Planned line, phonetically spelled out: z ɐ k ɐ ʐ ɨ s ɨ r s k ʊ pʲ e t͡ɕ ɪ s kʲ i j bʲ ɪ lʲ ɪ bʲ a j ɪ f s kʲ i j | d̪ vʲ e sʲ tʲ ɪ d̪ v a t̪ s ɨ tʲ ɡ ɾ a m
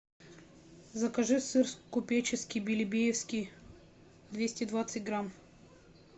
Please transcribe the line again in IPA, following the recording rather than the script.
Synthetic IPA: z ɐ k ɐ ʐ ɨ s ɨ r s k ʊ pʲ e t͡ɕ ɪ s kʲ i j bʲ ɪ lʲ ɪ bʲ e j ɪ f s kʲ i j | d̪ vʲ e sʲ tʲ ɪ d̪ v a t̪ s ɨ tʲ ɡ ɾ a m